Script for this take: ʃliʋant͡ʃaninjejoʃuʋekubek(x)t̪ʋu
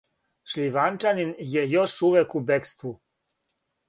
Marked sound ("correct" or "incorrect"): incorrect